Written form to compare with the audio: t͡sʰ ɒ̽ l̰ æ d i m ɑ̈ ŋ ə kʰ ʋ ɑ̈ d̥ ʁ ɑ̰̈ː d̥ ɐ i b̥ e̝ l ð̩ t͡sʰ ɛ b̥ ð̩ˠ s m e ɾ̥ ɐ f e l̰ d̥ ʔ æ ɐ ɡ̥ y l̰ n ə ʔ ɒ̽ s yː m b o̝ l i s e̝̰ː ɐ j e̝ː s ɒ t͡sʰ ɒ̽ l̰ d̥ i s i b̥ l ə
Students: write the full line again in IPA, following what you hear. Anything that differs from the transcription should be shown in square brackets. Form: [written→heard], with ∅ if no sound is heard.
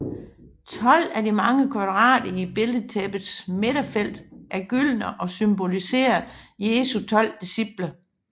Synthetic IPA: t͡sʰ ɒ̽ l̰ æ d i m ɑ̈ ŋ ə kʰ ʋ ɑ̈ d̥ ʁ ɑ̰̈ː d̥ ɐ i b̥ e̝ l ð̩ t͡sʰ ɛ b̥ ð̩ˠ s m e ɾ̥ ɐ f e l̰ d̥ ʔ æ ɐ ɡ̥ y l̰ n ə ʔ ɒ̽ s [yː→y] m b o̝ l i s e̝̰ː ɐ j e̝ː s [ɒ→u] t͡sʰ ɒ̽ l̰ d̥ i s i b̥ l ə

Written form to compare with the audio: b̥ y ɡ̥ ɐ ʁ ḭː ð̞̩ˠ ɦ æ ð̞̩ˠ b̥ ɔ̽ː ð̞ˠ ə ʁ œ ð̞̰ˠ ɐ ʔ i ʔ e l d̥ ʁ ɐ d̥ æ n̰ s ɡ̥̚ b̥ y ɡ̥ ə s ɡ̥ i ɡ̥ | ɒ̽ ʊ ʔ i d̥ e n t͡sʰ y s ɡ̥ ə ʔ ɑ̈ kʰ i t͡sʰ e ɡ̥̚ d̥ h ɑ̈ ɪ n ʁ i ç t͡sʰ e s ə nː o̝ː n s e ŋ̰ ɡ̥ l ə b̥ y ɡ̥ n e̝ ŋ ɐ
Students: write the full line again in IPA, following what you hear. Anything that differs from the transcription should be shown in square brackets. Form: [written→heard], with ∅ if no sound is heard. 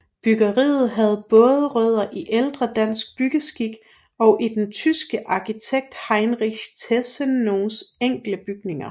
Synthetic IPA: b̥ y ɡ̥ ɐ ʁ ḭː ð̞̩ˠ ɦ æ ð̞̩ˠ b̥ ɔ̽ː ð̞ˠ ə ʁ œ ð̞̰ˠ ɐ ʔ i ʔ e l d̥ ʁ ɐ d̥ æ n̰ s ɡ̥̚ b̥ y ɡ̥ ə s ɡ̥ i ɡ̥ | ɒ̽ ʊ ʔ i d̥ e n t͡sʰ y s ɡ̥ ə ʔ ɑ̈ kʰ i t͡sʰ e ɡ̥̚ d̥ h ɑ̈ ɪ n ʁ i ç t͡sʰ e s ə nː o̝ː n s e ŋ̰ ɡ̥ l ə b̥ y ɡ̥ n e̝ ŋ ɐ

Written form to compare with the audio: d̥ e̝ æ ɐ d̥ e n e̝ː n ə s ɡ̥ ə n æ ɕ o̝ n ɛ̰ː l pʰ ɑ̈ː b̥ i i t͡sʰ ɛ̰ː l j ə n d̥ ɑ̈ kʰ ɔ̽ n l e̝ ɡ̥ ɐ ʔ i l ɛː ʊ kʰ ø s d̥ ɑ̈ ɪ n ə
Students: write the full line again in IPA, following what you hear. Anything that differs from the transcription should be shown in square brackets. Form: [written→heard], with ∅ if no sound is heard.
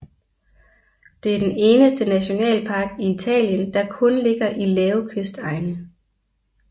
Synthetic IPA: d̥ e̝ æ ɐ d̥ e n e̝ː n ə s [ɡ̥→d̥] ə n æ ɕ o̝ n ɛ̰ː l pʰ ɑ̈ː [b̥→ɡ̥] i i t͡sʰ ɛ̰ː l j ə n d̥ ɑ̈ kʰ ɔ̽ n l e̝ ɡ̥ ɐ ʔ i l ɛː ʊ kʰ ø s d̥ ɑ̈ ɪ n ə

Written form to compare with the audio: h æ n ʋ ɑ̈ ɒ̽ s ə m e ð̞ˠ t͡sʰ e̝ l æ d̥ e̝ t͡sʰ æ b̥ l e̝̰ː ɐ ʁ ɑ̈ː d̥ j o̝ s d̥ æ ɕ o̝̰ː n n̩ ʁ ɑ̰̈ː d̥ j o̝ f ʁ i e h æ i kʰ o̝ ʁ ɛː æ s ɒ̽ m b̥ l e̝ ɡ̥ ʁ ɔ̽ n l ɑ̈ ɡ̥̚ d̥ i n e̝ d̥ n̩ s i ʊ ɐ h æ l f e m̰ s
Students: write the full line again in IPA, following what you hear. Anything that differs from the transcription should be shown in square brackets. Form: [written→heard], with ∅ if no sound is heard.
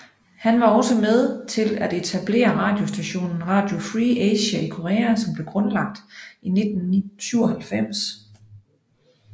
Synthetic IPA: h æ n ʋ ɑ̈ ɒ̽ s ə m e ð̞ˠ t͡sʰ e̝ l æ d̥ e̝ t͡sʰ æ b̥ l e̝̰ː ɐ ʁ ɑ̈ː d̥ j o̝ s d̥ æ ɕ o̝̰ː n n̩ ʁ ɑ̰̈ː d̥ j o̝ f ʁ i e [h→ɕ] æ i kʰ o̝ ʁ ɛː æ s ɒ̽ m b̥ l e̝ ɡ̥ ʁ ɔ̽ n l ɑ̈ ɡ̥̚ d̥ i n e̝ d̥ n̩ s [i→y] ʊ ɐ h æ l f e m̰ s

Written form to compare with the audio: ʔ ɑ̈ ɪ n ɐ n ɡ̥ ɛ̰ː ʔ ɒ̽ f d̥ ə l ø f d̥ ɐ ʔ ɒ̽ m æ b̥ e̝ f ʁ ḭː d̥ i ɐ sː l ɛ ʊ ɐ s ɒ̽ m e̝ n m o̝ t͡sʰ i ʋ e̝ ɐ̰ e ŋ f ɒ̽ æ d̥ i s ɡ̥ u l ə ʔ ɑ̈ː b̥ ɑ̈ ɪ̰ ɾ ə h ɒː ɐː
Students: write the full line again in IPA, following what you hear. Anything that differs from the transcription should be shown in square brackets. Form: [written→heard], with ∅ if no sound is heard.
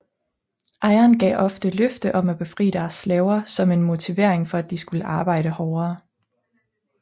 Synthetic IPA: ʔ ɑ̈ ɪ [n→∅] ɐ n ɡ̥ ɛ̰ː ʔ ɒ̽ f d̥ ə l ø f d̥ [ɐ→ə] ʔ ɒ̽ m æ b̥ e̝ f ʁ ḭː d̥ [i→æ] ɐ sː l ɛ ʊ ɐ s ɒ̽ m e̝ n m o̝ t͡sʰ i ʋ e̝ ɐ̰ e ŋ f ɒ̽ æ d̥ i s ɡ̥ u l ə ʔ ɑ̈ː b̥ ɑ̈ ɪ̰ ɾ ə h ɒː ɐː

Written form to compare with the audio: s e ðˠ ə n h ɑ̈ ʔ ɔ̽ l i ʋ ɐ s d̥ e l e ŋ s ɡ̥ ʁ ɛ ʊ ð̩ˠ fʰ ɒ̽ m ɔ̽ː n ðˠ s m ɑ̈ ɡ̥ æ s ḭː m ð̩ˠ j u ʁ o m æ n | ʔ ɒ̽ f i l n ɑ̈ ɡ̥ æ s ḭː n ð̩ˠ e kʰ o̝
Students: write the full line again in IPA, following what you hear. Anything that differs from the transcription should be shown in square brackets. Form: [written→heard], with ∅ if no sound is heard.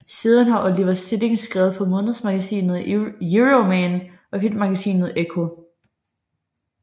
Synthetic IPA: s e ðˠ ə n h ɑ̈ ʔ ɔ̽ l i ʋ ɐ s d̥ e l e ŋ s ɡ̥ ʁ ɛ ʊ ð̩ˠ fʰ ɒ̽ m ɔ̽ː n ðˠ s m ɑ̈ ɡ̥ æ s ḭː [m→n] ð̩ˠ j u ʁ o m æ n | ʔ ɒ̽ f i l [n→m] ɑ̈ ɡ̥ æ s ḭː n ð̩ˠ e kʰ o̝

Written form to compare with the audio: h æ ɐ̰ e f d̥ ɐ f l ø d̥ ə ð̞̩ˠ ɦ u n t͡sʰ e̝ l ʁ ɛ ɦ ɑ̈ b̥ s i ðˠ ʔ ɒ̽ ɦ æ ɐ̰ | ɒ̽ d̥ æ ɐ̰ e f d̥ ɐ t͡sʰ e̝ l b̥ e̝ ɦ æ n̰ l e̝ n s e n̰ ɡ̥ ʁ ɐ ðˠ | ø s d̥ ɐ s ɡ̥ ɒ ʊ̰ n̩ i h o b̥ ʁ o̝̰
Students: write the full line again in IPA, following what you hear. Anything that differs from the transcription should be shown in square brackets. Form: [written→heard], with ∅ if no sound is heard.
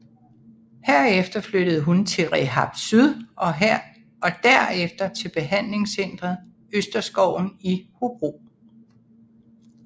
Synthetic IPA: h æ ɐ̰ e f d̥ ɐ f l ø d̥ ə ð̞̩ˠ ɦ u n t͡sʰ e̝ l ʁ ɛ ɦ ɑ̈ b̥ s [i→y] ðˠ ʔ ɒ̽ ɦ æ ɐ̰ | ɒ̽ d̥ æ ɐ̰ e f d̥ ɐ t͡sʰ e̝ l b̥ e̝ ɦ æ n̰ l e̝ [n→ŋ] s e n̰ [ɡ̥→d̥] ʁ ɐ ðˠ | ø s d̥ ɐ s ɡ̥ ɒ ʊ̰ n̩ i h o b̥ ʁ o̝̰

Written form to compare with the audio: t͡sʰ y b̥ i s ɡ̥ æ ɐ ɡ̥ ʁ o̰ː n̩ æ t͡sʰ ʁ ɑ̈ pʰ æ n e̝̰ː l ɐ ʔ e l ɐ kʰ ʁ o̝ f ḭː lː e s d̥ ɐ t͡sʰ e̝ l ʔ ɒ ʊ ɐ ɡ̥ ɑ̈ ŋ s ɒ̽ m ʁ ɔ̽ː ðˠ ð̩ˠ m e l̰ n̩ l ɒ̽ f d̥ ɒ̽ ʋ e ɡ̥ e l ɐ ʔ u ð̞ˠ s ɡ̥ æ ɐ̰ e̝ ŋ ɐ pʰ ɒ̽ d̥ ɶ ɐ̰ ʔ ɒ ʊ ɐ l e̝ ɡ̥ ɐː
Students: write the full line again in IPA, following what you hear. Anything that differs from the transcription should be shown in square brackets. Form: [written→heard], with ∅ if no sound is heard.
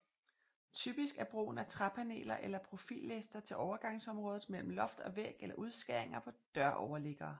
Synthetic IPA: t͡sʰ y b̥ i s ɡ̥ æ ɐ [ɡ̥→b̥] ʁ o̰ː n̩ æ t͡sʰ ʁ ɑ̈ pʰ æ n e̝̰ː l ɐ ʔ e l ɐ [kʰ→pʰ] ʁ o̝ f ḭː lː e s d̥ ɐ t͡sʰ e̝ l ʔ ɒ ʊ ɐ ɡ̥ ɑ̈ ŋ s ɒ̽ m ʁ ɔ̽ː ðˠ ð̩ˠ m e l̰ [n̩→m̩] l ɒ̽ f d̥ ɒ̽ ʋ e ɡ̥ e l ɐ ʔ u ð̞ˠ s ɡ̥ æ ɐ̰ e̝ ŋ ɐ pʰ ɒ̽ d̥ ɶ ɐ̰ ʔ ɒ ʊ ɐ l e̝ ɡ̥ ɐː

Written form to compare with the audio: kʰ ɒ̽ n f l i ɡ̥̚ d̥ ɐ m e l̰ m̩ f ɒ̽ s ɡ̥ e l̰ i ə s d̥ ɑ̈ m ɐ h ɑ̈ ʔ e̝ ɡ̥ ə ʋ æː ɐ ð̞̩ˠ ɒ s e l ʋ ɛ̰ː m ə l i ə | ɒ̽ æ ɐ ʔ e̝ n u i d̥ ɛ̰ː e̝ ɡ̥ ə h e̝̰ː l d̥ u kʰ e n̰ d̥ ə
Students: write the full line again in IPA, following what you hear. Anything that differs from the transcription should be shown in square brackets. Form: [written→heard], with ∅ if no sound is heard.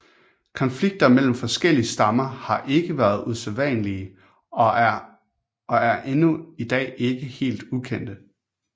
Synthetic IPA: kʰ ɒ̽ n f l i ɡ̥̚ d̥ ɐ m e l̰ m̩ f ɒ̽ s ɡ̥ e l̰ i ə s d̥ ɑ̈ m ɐ h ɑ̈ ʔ e̝ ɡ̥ ə ʋ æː ɐ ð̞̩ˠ [ɒ→u] s e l ʋ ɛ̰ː [m→n] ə l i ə | ɒ̽ æ ɐ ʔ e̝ n u i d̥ ɛ̰ː e̝ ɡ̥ ə h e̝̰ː l d̥ u kʰ e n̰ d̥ ə

